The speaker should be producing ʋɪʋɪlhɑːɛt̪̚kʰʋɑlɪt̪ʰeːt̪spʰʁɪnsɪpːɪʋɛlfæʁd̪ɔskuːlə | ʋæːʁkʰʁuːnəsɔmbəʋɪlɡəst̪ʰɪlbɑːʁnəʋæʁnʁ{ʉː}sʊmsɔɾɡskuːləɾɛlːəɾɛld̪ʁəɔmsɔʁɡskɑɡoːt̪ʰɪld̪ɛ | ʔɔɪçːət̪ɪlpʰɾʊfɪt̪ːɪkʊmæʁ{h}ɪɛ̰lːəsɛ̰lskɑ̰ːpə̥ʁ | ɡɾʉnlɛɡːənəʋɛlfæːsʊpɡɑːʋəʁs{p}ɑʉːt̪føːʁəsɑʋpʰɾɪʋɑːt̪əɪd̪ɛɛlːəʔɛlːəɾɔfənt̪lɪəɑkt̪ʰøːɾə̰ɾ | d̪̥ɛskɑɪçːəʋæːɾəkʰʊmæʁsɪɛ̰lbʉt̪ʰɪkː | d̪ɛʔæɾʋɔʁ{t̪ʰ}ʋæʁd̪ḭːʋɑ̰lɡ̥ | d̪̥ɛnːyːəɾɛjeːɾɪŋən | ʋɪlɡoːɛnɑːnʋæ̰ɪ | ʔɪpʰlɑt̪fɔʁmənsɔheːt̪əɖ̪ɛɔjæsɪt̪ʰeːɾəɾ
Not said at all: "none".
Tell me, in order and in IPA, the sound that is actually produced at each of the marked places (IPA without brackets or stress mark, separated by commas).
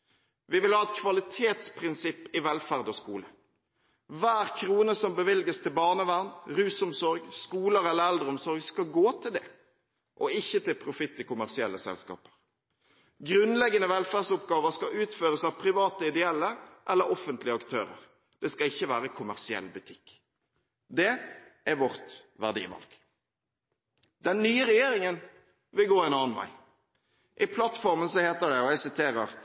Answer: ʉː, s, k, t̪